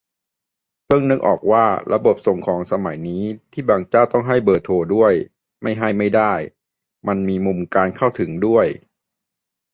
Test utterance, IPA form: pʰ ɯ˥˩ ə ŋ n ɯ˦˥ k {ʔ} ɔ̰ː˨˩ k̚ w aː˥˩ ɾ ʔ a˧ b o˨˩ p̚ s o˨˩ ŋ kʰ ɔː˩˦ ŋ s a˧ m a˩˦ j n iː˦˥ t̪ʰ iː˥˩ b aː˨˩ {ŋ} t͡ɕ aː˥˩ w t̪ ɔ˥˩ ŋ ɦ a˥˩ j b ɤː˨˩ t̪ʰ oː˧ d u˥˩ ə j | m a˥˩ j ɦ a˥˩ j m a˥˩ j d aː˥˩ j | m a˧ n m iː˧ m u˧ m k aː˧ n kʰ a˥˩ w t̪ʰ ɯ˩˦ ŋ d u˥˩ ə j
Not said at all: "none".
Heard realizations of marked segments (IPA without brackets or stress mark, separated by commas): ʔ, ŋ